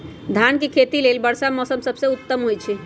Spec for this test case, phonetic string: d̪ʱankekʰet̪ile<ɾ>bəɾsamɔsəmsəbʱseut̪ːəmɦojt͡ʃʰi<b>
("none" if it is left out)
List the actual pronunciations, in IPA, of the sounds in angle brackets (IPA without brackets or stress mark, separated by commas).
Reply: l, none